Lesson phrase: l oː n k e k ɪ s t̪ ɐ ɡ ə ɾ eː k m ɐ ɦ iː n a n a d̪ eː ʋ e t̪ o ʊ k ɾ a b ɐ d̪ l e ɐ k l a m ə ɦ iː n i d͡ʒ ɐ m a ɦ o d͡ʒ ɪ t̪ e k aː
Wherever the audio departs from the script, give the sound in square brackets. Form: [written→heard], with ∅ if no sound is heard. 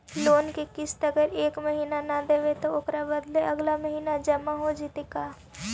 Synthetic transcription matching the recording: l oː n k e k ɪ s t̪ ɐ ɡ ə ɾ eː k m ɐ ɦ iː n a n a d̪ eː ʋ e t̪ o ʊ k ɾ a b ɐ d̪ l e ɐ [k→ɡ] l a m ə ɦ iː n [i→a] d͡ʒ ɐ m a ɦ o d͡ʒ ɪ t̪ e k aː